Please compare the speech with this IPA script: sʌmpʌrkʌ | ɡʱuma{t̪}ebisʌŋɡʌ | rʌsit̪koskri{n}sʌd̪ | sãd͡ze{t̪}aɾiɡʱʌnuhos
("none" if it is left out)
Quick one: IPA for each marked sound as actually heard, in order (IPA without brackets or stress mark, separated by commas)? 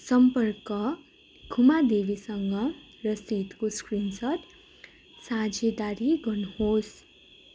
d̪, n, d̪